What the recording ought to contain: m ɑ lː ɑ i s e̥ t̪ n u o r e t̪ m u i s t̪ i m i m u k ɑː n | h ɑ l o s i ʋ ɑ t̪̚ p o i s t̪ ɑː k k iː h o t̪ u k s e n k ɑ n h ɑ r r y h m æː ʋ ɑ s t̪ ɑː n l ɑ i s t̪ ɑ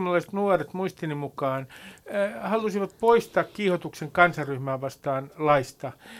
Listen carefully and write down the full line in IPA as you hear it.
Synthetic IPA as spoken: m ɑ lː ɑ i s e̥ t̪ n u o r e t̪ m u i s t̪ i n i m u k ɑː n | h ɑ l u s i ʋ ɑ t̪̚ p o i s t̪ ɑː k k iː h o t̪ u k s e ŋ k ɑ n s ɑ r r y h m æː ʋ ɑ s t̪ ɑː n l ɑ i s t̪ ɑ